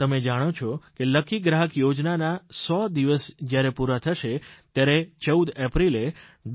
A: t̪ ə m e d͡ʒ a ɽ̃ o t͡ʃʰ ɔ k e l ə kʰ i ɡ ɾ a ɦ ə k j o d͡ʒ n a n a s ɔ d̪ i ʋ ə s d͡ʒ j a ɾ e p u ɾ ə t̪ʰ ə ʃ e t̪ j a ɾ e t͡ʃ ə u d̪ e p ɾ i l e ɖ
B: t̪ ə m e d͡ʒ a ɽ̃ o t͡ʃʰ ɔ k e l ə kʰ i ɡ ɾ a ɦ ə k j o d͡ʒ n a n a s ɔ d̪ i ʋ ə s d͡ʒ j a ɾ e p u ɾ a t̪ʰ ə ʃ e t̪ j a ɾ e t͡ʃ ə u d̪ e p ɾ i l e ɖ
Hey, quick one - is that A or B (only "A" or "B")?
B